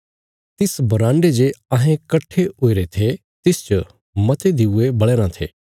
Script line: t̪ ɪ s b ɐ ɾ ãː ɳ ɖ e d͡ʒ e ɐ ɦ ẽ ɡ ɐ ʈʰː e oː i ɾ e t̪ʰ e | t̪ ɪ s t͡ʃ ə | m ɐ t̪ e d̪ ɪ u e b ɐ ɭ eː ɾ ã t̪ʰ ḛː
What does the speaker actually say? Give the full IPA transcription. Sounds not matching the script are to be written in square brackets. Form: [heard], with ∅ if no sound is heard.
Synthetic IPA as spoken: t̪ ɪ s b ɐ ɾ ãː ɳ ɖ e d͡ʒ e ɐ ɦ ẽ [k] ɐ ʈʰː e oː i ɾ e t̪ʰ e | t̪ ɪ s t͡ʃ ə | m ɐ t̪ e d̪ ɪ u e b ɐ ɭ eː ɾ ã t̪ʰ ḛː